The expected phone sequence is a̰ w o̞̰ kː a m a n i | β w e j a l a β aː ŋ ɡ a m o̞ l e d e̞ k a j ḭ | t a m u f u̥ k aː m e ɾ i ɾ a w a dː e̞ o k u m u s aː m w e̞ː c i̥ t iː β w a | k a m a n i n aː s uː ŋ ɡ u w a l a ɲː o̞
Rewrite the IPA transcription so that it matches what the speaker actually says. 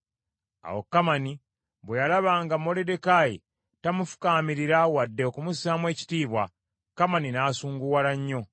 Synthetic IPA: a̰ w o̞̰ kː a m a n i | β w e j a l a β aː ŋ ɡ a m o̞ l e d e̞ k a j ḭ | t a m u f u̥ k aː m i ɾ i ɾ a w a dː e̞ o k u m u s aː m w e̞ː c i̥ t iː β w a | k a m a n i n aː s uː ŋ ɡ u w a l a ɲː o̞

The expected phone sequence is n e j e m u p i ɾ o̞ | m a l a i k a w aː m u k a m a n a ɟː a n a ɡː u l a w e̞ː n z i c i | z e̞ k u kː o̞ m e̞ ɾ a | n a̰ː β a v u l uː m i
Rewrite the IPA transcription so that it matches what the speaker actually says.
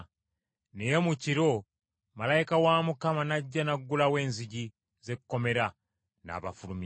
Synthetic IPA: n e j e m u c i ɾ o̞ | m a l a i k a w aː m u k a m a n a ɟː a n a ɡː u l a w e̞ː n z i ɟ i | z e̞ k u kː o̞ m e̞ ɾ a | n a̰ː β a f u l u m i

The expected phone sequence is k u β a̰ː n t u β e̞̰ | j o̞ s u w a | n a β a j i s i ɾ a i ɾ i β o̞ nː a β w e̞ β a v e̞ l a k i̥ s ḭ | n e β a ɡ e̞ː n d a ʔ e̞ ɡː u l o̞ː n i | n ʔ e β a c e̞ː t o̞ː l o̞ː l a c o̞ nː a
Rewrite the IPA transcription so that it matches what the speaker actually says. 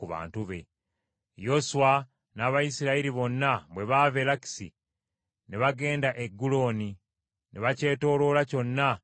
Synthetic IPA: k u β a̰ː n t u β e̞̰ | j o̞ s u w a | n a β a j i s i ɾ a i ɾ i β o̞ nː a β w e̞ β a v e̞ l a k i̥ s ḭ | n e β a ɡ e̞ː n d a ʔ e̞ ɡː u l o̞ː n i | n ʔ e β a c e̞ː t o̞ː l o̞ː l a c o̞ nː a

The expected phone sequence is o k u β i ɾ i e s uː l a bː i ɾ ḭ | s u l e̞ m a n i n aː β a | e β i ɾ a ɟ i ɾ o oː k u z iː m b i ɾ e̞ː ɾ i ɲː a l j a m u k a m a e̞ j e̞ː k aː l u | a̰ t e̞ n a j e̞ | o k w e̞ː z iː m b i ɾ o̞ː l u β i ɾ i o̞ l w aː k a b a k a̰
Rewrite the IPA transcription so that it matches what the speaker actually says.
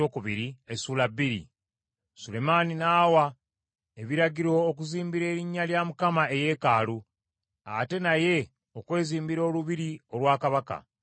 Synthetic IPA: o k u β i ɾ i e s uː l a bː i ɾ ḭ | s u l e̞ m a n i n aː w a | e β i ɾ a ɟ i ɾ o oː k u z iː m b i ɾ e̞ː ɾ i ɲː a l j a m u k a m a e̞ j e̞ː k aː l u | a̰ t e̞ n a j e̞ | o k w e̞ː z iː m b i ɾ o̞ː l u β i ɾ i o̞ l w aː k a β a k a̰

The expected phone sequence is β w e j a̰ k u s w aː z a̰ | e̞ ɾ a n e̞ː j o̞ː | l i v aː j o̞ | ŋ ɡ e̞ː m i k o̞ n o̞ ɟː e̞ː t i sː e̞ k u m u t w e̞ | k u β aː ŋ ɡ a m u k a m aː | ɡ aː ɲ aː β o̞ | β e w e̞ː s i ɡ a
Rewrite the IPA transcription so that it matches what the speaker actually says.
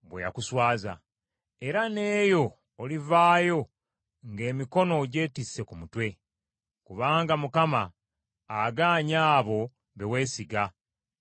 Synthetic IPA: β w e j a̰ k u s w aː z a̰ | e̞ ɾ a n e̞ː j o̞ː | l i v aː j o̞ | ŋ ɡ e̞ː m i k o̞ n o̞ ɟ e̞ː t i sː e̞ k u m u t w e̞ | k u β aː ŋ ɡ a m u k a m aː | ɡ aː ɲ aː β o̞ | β e w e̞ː s i ɡ a

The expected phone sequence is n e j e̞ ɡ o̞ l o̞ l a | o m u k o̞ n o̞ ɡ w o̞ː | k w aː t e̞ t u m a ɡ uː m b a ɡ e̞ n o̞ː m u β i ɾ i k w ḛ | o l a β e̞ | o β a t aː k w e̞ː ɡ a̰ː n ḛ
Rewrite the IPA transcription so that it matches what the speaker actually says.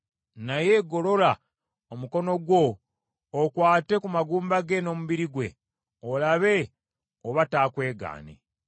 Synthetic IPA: n a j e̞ ɡ o̞ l o̞ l a | o m u k o̞ n o̞ ɡ w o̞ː | k w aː t e̞ k u m a ɡ uː m b a ɡ e̞ n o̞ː m u β i ɾ i ɡ w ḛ | o l a β e̞ | o β a t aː k w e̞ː ɡ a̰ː n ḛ

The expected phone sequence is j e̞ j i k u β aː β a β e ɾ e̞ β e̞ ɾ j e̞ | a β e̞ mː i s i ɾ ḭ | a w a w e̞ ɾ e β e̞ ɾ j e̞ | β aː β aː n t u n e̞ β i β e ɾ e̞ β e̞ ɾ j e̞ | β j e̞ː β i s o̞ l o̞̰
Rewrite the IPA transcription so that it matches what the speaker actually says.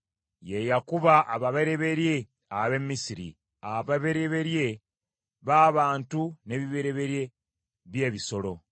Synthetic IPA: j e̞ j a k u β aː β a β e ɾ e̞ β e̞ ɾ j e̞ | a β e̞ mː i s i ɾ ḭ | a β a β e̞ ɾ e β e̞ ɾ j e̞ | β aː β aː n t u n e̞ β i β e ɾ e̞ β e̞ ɾ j e̞ | β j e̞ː β i s o̞ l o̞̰

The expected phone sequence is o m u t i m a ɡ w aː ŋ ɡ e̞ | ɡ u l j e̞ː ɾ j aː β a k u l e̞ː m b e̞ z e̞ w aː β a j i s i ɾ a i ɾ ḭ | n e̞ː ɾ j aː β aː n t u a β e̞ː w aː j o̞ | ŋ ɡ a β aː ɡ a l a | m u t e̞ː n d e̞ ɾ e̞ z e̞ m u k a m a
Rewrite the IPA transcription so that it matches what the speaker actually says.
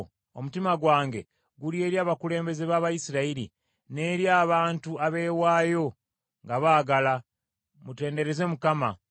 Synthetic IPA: o m u t i m a ɡ w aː ŋ ɡ e̞ | ɡ u l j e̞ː ɾ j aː β a k u l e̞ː m b e̞ z e̞ β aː β a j i s i ɾ a i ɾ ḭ | n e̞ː ɾ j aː β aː n t u a β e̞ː w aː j o̞ | ŋ ɡ a β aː ɡ a l a | m u t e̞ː n d e̞ ɾ e̞ z e̞ m u k a m a

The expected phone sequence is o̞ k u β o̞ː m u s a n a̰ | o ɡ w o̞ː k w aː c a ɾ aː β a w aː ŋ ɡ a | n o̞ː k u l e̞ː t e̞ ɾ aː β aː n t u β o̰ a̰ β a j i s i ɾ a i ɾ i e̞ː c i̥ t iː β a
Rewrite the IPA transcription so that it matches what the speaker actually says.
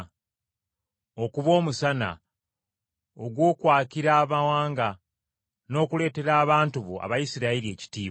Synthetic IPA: o̞ k u β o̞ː m u s a n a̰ | o ɡ w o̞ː k w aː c i ɾ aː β a w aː ŋ ɡ a | n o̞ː k u l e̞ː t e̞ ɾ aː β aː n t u β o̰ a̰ β a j i s i ɾ a i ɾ i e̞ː c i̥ t iː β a

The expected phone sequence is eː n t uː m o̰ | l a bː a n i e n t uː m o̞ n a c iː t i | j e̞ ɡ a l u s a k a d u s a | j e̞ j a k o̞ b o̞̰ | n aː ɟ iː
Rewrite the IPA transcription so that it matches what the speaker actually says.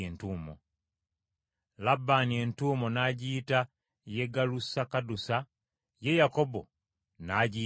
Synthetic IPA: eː n t uː m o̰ | l a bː a n i e n t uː m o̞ n a ɟ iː t a | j e̞ ɡ a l u s a k a d u s a | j e̞ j a k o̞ b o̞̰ | n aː ɟ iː

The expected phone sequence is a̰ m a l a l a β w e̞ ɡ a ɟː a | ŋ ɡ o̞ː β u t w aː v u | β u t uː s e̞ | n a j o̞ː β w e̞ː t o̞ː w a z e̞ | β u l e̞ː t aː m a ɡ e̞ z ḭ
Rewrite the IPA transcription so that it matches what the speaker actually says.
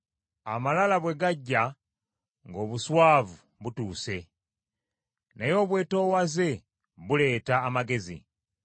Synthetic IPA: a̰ m a l a l a β w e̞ ɡ a ɟː a | ŋ ɡ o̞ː β u s w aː v u | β u t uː s e̞ | n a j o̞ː β w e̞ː t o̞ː w a z e̞ | β u l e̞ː t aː m a ɡ e̞ z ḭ

